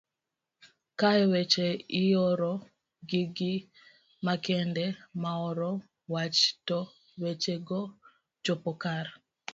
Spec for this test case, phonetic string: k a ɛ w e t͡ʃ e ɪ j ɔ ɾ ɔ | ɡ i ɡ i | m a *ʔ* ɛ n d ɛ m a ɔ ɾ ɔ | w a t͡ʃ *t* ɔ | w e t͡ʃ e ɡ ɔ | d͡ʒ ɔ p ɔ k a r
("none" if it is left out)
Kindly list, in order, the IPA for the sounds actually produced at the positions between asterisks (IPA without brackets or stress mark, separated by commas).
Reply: k, t